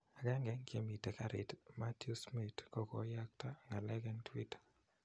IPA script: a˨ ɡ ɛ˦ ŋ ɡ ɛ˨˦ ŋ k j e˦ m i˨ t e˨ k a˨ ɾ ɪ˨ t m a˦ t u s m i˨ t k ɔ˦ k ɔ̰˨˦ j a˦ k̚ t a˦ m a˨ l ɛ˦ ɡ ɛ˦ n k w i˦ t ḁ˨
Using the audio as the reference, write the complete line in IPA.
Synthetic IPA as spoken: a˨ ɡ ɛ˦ ŋ ɡ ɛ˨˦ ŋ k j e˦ m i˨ t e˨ k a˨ ɾ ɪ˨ t m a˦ t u s m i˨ t k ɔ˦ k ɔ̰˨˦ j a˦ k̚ t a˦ ŋ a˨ l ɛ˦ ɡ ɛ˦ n t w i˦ t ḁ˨